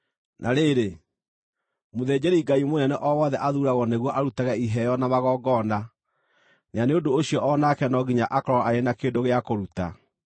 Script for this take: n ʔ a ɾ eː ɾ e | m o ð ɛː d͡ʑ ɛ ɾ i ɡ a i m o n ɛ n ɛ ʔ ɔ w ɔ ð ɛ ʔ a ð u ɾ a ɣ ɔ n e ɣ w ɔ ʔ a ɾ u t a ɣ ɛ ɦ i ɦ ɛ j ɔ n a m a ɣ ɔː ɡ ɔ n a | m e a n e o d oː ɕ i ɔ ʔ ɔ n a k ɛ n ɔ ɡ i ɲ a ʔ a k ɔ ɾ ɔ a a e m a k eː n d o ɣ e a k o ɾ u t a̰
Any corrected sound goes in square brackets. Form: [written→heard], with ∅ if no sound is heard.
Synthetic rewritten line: n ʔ a ɾ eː ɾ e | m o ð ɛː d͡ʑ ɛ ɾ i ɡ a i m o n ɛ n ɛ ʔ ɔ w ɔ ð ɛ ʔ a ð u ɾ a ɣ ɔ n e ɣ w ɔ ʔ a ɾ u t a ɣ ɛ [ɦ→∅] i ɦ ɛ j ɔ n a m a ɣ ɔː ɡ ɔ n a | [m→n] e a n e o d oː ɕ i ɔ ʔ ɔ n a k ɛ n ɔ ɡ i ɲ a ʔ a k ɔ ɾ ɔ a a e [m→n] a k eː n d o ɣ e a k o ɾ u t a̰